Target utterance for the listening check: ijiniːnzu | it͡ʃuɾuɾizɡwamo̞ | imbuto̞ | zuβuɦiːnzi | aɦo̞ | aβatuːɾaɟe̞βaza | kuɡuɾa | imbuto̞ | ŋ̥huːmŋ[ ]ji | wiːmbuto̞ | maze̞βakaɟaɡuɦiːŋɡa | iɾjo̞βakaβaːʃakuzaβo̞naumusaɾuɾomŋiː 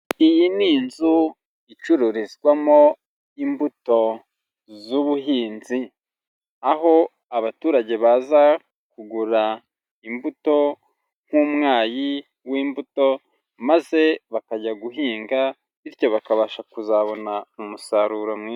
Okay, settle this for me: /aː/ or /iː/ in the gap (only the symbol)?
aː